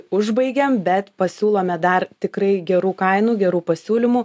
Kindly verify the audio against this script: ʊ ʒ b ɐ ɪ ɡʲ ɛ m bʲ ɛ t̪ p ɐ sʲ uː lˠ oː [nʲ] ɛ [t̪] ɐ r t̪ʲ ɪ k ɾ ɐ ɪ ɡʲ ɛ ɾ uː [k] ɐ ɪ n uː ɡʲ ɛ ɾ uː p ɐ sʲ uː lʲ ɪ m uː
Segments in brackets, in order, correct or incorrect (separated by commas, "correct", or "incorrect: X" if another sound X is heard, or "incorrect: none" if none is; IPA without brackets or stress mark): incorrect: mʲ, incorrect: d̪, correct